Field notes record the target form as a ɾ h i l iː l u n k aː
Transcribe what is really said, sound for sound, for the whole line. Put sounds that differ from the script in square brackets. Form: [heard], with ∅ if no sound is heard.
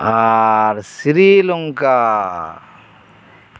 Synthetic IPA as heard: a ɾ [s] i [ɾ] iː l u [ŋ] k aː